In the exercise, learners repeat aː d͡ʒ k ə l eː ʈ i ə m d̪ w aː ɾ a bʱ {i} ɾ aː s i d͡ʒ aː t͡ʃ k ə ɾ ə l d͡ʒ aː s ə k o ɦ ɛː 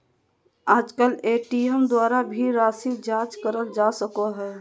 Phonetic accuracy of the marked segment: correct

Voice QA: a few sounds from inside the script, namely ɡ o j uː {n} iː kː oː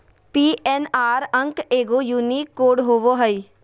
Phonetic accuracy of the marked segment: correct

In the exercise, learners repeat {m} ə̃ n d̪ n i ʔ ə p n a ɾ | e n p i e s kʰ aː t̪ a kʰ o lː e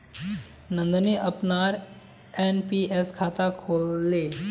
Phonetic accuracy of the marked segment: incorrect: n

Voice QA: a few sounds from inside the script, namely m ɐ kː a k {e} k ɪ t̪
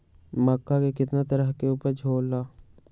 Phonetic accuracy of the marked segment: correct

